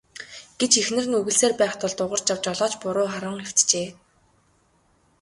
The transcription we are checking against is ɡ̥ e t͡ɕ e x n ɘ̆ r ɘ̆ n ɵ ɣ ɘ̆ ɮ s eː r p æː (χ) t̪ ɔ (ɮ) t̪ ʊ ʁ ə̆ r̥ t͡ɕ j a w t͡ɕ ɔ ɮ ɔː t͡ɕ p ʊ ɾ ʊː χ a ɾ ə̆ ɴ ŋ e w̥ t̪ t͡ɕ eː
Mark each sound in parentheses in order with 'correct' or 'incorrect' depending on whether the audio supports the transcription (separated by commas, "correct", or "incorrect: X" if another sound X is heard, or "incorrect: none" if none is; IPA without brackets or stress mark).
correct, correct